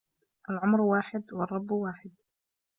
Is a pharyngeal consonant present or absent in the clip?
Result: present